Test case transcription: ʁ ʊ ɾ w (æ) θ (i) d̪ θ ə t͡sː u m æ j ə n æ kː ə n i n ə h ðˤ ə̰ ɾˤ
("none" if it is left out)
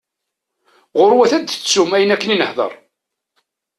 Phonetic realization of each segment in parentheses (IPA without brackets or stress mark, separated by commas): æ, æ